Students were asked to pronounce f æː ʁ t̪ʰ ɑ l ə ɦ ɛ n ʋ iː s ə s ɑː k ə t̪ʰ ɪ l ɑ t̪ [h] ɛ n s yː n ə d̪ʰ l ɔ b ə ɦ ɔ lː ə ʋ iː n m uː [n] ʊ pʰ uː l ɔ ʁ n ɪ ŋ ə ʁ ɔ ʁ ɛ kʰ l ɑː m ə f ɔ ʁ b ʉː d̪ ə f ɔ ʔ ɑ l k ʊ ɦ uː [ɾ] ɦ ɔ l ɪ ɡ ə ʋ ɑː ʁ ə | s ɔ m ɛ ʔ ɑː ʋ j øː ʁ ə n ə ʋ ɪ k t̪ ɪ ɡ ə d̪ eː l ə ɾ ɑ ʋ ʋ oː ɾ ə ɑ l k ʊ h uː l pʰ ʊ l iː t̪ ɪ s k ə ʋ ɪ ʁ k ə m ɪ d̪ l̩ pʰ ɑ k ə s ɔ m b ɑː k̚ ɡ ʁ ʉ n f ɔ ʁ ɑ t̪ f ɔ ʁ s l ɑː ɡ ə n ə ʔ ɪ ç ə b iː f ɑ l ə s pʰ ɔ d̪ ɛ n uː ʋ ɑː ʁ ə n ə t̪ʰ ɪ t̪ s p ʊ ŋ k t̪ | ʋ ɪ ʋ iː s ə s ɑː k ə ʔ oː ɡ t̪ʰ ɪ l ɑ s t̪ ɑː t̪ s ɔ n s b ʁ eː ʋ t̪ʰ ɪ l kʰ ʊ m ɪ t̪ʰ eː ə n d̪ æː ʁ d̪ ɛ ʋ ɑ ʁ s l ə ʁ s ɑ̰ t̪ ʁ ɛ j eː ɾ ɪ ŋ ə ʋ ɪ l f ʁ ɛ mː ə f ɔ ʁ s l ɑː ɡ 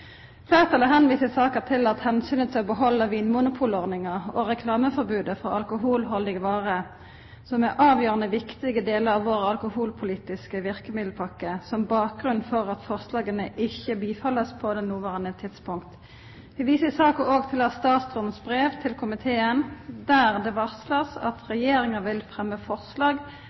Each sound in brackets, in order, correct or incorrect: correct, correct, incorrect: l

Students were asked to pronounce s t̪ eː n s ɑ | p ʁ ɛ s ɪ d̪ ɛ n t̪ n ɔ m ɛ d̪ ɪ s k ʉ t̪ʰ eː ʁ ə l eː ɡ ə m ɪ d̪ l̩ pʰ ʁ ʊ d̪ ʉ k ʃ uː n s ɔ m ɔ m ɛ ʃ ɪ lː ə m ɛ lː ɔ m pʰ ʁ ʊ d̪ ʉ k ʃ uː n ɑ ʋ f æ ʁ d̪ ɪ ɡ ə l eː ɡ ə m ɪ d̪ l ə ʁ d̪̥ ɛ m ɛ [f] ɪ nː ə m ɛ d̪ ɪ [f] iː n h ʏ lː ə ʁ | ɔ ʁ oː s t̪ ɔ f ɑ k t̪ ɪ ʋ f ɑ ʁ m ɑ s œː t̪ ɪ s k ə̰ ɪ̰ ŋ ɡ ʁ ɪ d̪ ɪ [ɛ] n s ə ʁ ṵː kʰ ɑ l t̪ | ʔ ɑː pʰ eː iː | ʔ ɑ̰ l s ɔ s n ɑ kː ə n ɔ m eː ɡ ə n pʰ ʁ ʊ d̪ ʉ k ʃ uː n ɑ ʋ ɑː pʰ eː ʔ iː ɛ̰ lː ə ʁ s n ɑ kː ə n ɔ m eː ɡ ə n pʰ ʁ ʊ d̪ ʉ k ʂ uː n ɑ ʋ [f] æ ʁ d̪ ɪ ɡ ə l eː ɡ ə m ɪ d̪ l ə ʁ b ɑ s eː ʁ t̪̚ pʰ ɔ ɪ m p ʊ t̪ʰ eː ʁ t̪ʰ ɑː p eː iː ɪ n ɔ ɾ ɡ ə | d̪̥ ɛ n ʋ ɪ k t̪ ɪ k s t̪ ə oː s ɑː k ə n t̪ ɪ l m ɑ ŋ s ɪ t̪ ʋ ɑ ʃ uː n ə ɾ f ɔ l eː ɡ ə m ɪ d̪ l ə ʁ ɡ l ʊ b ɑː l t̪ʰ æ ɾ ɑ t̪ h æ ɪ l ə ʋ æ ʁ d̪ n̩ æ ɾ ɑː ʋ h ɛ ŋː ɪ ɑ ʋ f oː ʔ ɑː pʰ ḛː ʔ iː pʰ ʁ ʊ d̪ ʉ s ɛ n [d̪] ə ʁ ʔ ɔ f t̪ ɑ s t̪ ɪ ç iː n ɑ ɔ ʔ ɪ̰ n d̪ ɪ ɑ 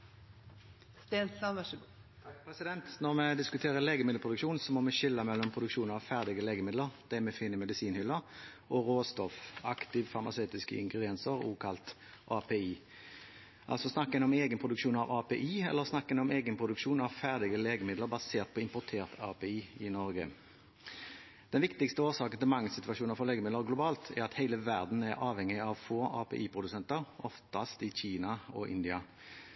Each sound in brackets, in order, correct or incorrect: correct, incorrect: s, correct, correct, incorrect: t̪

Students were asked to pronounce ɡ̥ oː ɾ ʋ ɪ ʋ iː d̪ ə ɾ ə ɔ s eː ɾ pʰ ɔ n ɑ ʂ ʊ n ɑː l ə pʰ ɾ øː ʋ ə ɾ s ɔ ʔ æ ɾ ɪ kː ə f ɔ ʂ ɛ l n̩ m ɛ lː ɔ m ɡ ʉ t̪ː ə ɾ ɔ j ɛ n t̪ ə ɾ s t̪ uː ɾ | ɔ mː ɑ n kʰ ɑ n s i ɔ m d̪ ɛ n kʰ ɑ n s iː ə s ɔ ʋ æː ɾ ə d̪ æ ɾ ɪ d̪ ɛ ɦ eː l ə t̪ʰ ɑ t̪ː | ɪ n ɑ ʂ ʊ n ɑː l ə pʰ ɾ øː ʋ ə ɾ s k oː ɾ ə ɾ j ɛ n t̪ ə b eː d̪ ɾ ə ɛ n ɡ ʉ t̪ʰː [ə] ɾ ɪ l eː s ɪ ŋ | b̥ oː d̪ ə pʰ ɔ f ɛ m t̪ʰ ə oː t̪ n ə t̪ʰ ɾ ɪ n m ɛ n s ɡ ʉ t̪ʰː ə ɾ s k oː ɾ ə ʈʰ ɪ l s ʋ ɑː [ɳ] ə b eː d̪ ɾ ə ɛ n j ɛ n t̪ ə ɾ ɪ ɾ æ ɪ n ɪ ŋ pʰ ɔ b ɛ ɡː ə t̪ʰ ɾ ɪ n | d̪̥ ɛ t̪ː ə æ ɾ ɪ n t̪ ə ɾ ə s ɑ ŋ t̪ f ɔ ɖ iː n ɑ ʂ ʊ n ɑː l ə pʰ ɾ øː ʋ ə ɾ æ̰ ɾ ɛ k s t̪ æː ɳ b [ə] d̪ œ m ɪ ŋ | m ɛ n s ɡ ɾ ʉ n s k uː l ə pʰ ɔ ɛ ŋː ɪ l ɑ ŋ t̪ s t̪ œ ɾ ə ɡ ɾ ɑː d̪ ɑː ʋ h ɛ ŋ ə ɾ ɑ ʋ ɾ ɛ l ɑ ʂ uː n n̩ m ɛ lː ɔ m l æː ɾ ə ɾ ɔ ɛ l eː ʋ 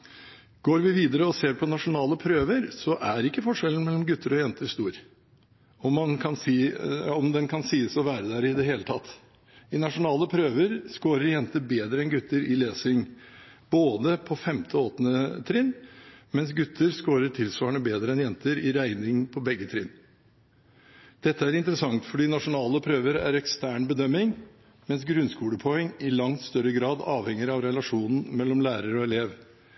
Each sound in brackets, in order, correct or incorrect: correct, correct, correct

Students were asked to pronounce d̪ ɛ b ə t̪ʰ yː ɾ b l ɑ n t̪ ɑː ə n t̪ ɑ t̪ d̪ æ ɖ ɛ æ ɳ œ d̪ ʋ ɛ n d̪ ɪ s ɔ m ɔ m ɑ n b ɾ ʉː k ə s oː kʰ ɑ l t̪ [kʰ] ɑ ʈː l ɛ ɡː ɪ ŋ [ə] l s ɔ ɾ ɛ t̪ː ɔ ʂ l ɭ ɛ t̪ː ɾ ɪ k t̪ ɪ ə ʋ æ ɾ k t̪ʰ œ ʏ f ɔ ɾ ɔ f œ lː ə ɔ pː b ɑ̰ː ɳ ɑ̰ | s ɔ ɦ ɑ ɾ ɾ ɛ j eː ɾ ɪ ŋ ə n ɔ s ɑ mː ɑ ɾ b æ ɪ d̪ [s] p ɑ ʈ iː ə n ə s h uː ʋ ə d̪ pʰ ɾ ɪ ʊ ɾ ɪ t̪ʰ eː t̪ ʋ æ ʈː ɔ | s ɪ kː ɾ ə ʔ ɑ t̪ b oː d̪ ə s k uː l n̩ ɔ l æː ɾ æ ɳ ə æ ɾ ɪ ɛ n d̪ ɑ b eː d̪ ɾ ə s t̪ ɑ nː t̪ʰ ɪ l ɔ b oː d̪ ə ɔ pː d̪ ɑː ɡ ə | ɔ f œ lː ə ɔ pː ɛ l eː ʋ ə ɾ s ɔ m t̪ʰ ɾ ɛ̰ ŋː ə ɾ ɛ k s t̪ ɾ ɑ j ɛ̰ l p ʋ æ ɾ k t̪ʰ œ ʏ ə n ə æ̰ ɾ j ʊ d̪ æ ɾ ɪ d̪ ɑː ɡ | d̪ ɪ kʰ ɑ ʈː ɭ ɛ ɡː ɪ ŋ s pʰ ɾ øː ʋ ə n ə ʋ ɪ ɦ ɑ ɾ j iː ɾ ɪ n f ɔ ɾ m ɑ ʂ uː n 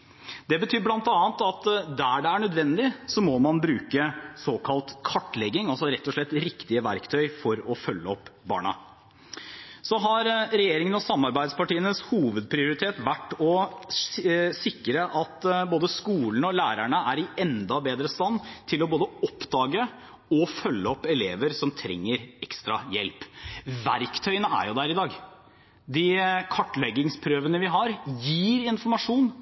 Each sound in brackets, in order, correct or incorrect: correct, incorrect: ɑ, correct

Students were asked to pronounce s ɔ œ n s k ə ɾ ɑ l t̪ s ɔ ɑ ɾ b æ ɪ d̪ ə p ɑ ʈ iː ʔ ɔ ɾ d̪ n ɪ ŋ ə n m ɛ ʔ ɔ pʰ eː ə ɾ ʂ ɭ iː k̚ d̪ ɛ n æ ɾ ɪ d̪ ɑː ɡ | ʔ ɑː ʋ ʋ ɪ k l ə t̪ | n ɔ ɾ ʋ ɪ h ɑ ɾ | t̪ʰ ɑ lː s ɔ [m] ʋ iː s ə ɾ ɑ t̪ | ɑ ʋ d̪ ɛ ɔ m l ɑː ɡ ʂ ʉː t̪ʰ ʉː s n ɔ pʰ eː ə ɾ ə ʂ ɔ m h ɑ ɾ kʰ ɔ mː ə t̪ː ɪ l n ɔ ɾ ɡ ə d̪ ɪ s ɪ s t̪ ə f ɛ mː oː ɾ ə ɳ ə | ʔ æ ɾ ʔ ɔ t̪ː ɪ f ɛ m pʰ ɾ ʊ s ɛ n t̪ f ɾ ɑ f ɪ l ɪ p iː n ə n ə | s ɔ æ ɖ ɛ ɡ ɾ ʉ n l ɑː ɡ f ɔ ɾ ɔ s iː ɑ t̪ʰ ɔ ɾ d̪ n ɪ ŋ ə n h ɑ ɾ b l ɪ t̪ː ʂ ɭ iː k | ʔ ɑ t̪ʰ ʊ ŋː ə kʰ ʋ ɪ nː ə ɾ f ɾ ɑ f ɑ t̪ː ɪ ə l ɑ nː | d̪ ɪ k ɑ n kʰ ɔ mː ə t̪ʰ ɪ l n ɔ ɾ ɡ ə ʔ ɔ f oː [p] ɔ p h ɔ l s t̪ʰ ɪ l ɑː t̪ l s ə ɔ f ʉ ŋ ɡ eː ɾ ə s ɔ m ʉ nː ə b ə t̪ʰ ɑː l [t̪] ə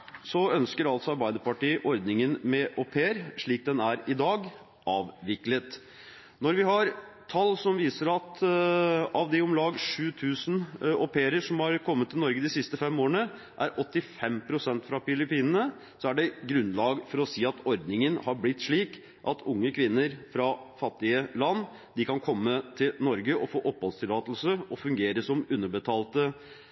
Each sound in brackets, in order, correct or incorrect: correct, incorrect: ʔ, correct

